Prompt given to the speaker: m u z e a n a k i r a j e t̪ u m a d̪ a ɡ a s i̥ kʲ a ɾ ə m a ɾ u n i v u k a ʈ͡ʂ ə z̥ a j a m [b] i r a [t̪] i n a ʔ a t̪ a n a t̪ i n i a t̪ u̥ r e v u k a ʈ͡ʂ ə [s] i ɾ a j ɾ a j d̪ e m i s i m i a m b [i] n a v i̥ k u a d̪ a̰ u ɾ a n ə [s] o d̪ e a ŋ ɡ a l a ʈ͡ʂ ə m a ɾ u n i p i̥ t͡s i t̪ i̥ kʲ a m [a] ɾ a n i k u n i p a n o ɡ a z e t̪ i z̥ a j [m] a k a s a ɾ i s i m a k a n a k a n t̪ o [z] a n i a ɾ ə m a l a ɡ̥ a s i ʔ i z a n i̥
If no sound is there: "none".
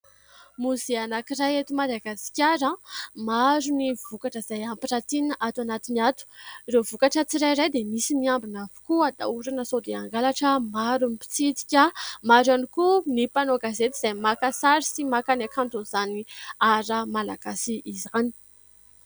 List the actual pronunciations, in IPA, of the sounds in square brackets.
p, t̪, t͡s, i, s, a, m, z

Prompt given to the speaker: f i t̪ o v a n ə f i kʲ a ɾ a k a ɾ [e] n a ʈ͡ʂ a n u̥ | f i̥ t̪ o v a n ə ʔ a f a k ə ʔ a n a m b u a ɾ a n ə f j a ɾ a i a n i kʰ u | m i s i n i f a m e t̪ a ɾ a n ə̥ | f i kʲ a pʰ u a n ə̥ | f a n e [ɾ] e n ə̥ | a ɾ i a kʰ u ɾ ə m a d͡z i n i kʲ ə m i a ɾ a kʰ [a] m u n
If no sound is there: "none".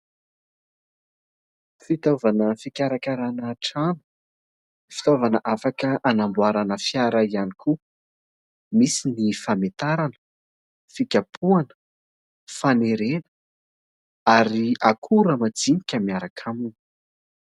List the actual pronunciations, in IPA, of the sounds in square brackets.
a, ɾ, a

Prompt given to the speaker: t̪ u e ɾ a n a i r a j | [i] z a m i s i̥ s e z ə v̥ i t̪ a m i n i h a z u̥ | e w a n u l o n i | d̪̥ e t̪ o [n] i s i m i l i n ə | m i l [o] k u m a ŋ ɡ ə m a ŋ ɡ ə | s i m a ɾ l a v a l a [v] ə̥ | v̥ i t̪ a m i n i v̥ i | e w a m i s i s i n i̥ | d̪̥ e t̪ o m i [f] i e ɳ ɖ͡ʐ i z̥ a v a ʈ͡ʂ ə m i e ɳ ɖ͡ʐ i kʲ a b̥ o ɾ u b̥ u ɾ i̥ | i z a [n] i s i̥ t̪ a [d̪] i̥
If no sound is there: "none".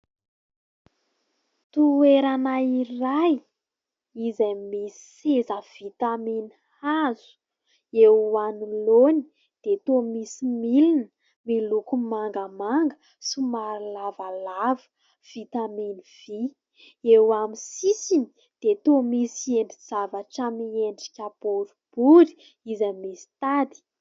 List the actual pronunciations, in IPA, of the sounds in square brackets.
i, m, u, v, s, m, d̪

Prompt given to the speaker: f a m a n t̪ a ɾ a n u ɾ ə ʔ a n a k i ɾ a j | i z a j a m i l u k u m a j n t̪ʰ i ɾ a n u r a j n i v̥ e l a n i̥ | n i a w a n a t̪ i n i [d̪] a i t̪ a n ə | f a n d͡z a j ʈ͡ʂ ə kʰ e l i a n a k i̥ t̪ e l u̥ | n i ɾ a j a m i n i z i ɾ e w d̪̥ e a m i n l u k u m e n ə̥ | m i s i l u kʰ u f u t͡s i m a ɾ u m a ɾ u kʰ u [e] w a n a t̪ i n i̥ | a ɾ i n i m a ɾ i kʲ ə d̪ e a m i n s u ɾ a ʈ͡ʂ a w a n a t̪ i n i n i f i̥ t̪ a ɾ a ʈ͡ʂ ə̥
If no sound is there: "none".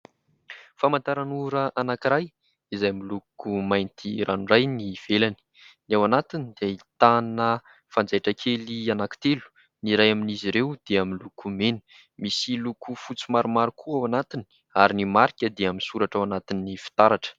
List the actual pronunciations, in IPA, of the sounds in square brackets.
d̪, a

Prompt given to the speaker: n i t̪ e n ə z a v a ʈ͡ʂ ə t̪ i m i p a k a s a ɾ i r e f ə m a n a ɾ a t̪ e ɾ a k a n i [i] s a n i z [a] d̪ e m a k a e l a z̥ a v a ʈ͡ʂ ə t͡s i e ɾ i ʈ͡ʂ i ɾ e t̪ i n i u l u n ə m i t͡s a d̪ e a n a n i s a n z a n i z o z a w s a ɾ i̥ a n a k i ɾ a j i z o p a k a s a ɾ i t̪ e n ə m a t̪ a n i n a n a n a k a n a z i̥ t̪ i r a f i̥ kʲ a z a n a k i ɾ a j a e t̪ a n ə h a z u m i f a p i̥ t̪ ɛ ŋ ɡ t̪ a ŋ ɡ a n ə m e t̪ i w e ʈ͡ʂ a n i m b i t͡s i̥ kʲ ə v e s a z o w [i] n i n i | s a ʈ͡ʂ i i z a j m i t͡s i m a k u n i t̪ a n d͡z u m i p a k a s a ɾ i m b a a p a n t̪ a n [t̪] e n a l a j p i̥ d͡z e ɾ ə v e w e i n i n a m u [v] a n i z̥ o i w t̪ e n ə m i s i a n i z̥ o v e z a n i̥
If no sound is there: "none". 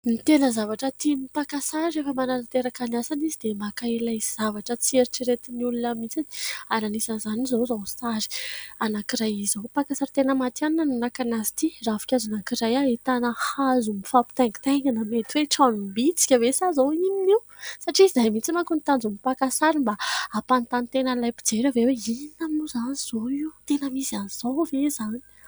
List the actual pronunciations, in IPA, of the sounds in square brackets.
a, i, i, t̪, z

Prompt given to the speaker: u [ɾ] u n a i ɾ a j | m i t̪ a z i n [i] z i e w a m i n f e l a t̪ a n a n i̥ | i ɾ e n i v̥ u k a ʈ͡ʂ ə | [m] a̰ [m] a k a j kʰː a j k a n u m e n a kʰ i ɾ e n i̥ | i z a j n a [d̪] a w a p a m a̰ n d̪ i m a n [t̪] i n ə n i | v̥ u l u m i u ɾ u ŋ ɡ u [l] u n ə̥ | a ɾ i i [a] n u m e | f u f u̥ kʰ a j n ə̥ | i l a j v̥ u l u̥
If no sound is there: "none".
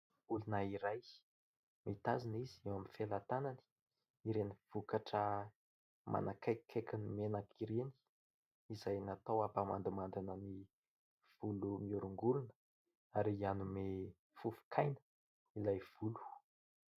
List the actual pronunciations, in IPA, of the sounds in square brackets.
l, i, m, n, t̪, d̪, l, a

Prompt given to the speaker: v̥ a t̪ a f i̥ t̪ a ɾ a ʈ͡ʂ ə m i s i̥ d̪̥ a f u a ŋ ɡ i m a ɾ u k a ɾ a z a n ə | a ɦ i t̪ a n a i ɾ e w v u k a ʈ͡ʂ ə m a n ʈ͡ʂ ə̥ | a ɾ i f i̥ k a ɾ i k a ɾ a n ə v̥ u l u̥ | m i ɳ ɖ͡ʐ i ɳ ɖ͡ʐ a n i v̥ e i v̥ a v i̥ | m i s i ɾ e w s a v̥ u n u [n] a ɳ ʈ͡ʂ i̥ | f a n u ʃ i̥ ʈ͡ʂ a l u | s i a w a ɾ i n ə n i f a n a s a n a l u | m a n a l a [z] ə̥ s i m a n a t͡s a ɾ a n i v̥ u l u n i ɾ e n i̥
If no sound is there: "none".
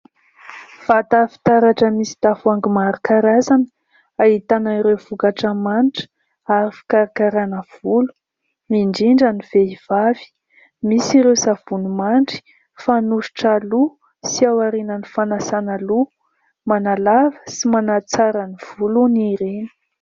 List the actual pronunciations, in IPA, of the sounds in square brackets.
m, v

